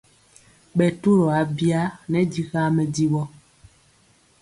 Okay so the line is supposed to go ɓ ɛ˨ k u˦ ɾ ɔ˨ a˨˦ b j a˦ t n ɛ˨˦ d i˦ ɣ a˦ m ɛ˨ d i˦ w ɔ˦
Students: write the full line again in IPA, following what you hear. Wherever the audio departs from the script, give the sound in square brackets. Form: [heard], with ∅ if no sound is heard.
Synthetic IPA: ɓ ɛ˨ [t] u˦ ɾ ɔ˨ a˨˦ b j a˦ [∅] n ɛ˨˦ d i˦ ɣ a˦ m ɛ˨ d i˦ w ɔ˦